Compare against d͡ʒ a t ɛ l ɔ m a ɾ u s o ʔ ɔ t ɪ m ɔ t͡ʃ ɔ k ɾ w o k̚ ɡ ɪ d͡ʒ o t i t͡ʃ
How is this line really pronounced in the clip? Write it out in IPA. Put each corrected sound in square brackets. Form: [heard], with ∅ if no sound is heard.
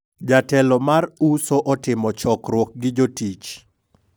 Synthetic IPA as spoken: d͡ʒ a t ɛ l ɔ m a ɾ u s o ʔ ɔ t ɪ m ɔ t͡ʃ ɔ k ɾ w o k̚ ɡ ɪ d͡ʒ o t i t͡ʃ